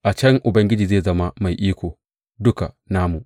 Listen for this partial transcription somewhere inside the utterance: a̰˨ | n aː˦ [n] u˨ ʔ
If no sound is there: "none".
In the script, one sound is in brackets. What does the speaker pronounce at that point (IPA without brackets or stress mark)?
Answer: m